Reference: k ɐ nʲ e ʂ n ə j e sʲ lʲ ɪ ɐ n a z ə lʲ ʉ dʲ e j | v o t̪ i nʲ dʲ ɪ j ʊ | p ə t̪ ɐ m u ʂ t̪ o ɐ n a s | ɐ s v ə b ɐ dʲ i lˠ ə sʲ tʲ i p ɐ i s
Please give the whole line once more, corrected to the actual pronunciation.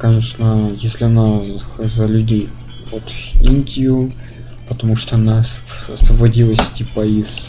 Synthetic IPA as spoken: k ɐ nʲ e ʂ n ə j e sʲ lʲ ɪ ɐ n a z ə lʲ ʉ dʲ e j | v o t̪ i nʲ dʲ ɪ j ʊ | p ə t̪ ɐ m u ʂ t̪ o ɐ n a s | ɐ s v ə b ɐ dʲ i lˠ ə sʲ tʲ i p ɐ i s

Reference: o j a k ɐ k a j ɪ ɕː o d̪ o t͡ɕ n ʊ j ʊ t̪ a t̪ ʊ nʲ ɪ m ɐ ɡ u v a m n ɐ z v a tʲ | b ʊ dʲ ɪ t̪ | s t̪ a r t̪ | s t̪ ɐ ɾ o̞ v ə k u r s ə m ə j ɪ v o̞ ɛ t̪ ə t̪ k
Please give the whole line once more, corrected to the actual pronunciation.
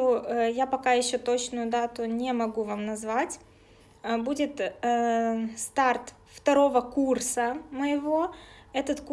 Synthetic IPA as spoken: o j a p ɐ k a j ɪ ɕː o t̪ o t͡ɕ n ʊ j ʊ d̪ a t̪ ʊ nʲ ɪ m ɐ ɡ u v a m n ɐ z v a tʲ | b u dʲ ɪ t̪ | s t̪ a r t̪ | f t̪ ɐ ɾ o̞ v ə k u r s ə m ə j ɪ v o̞ ɛ t̪ ə t̪ k

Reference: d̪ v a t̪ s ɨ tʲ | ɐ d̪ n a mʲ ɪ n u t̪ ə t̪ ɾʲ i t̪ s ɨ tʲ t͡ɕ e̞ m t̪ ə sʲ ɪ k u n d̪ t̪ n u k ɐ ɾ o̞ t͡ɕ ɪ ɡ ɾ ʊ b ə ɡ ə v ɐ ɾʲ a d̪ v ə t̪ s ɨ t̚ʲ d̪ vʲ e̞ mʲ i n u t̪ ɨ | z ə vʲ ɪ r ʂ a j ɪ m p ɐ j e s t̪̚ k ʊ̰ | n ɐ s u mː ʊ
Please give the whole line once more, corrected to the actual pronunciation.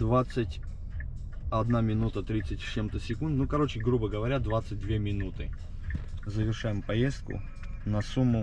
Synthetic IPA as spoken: d̪ v a t̪ s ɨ tʲ | ɐ d̪ n a mʲ ɪ n u t̪ ə t̪ ɾʲ i t̪ s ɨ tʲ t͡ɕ e̞ m t̪ ə sʲ ɪ k u n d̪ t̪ n u k ɐ ɾ o̞ t͡ɕ ɪ ɡ ɾ u b ə ɡ ə v ɐ ɾʲ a d̪ v a t̪ s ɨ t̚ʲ d̪ vʲ e̞ mʲ ɪ n u t̪ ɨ | z ə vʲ ɪ r ʂ a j ɪ m p ɐ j e s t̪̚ k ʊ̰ | n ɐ s u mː ʊ

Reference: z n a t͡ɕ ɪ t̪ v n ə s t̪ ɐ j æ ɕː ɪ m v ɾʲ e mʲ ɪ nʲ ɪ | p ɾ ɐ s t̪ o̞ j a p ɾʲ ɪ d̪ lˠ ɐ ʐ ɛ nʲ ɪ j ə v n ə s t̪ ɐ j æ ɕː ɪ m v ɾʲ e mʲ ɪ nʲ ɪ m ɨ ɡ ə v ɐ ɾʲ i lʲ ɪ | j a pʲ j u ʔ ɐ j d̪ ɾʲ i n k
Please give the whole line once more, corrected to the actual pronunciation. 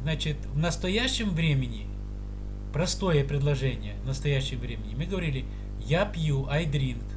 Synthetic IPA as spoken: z n a t͡ɕ ɪ t̪ v n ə s t̪ ɐ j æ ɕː ɪ m v ɾʲ e mʲ ɪ nʲ ɪ | p ɾ ɐ s t̪ o̞ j ə p ɾʲ ɪ d̪ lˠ ɐ ʐ ɛ nʲ ɪ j ə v n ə s t̪ ɐ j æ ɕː ɪ m v ɾʲ e mʲ ɪ nʲ ɪ m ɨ ɡ ə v ɐ ɾʲ i lʲ ɪ | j a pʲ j u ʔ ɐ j d̪ ɾʲ i n k

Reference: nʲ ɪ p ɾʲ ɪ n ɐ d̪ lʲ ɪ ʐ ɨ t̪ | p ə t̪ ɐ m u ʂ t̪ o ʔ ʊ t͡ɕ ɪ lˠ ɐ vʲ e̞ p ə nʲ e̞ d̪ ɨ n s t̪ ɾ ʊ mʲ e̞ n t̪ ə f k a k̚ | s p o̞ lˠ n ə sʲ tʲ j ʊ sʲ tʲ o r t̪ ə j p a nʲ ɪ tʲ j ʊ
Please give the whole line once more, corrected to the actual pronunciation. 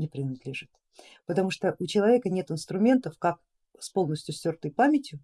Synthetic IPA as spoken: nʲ ɪ p ɾʲ ɪ n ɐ d̪ lʲ ɪ ʐ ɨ t̪ | p ə t̪ ɐ m u ʂ t̪ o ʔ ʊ t͡ɕ ɪ lˠ ɐ vʲ e̞ k ə nʲ e̞ t̪ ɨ n s t̪ ɾ ʊ mʲ e̞ n t̪ ə f k a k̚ | s p o̞ lˠ n ə sʲ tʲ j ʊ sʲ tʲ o r t̪ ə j p a mʲ ɪ tʲ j ʊ

